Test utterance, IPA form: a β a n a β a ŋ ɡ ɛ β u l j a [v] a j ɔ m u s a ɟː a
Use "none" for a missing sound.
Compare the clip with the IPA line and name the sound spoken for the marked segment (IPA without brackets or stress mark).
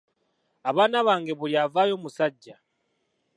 v